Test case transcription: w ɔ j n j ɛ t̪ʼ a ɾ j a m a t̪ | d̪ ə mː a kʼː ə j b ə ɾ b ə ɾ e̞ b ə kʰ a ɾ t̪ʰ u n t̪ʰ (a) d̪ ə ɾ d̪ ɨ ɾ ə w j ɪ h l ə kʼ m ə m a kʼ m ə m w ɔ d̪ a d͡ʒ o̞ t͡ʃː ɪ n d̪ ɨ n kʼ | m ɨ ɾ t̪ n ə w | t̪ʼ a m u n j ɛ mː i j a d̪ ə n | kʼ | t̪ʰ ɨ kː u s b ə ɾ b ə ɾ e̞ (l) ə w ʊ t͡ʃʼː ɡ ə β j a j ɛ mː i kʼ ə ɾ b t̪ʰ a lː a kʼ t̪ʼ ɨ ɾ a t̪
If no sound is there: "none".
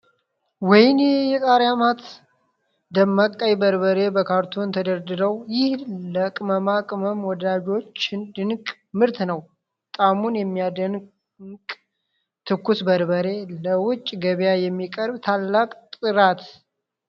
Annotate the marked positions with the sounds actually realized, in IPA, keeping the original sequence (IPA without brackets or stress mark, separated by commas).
ə, l